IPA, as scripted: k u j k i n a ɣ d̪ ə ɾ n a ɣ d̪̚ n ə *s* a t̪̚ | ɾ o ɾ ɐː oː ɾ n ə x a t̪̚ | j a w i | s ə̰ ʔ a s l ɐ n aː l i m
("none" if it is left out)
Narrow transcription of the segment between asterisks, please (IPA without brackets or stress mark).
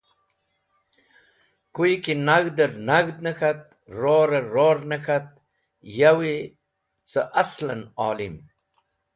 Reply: x